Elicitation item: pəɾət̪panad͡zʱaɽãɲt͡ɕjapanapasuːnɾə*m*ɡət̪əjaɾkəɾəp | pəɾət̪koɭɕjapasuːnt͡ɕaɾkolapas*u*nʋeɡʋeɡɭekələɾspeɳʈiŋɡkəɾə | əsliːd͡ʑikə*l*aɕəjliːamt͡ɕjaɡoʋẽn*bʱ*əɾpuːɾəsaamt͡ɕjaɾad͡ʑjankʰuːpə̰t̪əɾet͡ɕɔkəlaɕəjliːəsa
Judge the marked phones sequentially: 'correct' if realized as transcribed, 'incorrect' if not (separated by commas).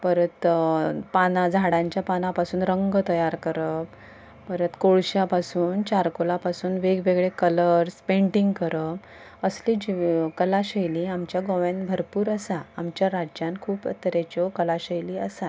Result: incorrect, incorrect, correct, correct